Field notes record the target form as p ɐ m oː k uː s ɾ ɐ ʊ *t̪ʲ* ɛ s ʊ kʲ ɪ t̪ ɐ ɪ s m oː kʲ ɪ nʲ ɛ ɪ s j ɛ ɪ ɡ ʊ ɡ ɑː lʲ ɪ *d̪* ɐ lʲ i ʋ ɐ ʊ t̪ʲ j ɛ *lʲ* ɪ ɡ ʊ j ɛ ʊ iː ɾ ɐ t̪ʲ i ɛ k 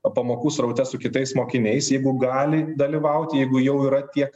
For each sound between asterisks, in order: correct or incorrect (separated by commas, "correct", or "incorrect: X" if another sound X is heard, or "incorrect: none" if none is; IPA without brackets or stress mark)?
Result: correct, correct, incorrect: none